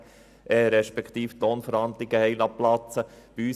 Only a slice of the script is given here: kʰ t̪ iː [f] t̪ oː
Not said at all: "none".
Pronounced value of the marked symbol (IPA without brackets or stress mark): f